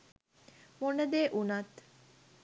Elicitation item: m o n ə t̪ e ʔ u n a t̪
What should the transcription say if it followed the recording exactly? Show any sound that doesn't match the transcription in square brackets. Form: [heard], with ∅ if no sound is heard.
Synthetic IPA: m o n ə [d̪] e ʔ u n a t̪